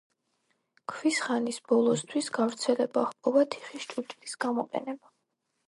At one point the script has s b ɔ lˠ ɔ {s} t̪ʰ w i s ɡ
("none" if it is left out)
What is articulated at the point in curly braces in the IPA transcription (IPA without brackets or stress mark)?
s